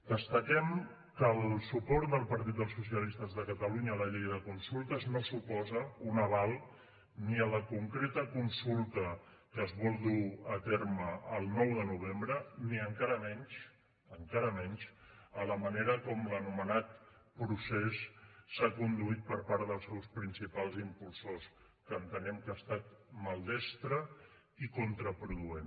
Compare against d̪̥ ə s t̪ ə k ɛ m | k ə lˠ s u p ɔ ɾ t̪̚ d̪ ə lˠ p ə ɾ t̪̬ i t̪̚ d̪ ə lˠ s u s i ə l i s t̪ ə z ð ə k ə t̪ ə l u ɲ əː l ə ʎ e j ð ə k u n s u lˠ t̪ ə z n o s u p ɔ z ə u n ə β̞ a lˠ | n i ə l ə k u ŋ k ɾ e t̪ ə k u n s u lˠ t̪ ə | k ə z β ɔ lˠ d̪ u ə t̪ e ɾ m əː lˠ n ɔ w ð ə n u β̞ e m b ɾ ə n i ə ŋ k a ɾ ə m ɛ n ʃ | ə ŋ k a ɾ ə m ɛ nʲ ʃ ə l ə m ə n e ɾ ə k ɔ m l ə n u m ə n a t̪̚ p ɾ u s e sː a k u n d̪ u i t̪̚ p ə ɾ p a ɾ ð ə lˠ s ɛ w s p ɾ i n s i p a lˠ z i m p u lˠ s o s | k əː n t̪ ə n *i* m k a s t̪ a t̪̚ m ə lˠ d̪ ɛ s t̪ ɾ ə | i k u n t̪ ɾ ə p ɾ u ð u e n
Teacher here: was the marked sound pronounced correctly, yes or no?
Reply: no